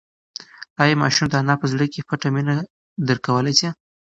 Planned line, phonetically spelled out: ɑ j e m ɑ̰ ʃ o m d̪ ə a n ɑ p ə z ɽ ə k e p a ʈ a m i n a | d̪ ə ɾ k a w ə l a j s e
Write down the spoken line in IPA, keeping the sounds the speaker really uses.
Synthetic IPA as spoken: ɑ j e m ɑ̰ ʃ u m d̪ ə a n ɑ p ə z ɽ ə k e p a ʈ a m i n a | d̪ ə ɾ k a w ə l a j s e